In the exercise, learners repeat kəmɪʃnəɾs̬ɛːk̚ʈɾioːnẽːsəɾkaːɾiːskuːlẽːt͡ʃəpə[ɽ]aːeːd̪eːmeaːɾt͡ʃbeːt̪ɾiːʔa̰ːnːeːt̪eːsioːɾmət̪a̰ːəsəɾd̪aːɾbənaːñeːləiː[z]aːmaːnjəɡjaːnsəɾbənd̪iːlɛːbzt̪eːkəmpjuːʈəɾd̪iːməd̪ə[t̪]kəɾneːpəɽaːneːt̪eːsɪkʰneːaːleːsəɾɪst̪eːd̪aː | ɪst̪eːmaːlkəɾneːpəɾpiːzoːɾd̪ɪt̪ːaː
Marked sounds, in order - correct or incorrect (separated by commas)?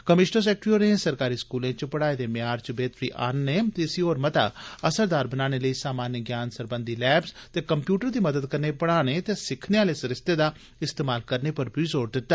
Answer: correct, incorrect, incorrect